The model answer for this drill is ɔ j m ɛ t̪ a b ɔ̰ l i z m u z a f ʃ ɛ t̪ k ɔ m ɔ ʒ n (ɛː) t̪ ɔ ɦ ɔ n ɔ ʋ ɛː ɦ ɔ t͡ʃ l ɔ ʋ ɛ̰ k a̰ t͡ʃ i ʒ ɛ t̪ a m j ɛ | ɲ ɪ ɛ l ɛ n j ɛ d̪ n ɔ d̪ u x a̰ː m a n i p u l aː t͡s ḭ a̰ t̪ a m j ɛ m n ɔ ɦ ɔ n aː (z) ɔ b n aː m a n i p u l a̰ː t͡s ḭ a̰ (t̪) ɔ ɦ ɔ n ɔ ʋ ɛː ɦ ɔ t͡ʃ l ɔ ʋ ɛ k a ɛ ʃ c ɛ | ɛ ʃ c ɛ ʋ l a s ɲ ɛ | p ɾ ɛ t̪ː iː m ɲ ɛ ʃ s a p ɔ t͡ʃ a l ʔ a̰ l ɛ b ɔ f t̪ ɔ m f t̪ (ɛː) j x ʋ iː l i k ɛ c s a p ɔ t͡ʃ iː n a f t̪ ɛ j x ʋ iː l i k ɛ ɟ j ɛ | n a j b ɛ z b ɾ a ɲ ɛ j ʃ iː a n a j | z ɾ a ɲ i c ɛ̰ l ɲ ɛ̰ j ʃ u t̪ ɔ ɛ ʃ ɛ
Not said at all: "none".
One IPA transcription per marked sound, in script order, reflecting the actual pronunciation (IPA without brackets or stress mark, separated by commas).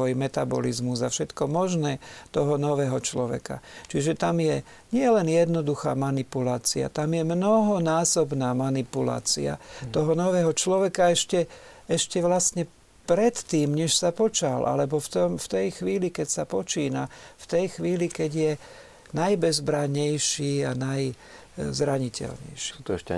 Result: ɛː, s, t̪, ɛ